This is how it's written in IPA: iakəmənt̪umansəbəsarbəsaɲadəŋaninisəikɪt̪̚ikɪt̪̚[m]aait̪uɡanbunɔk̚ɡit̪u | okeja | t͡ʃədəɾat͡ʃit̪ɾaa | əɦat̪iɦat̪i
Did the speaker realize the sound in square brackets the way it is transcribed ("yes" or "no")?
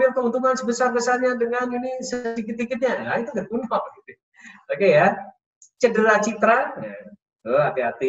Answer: no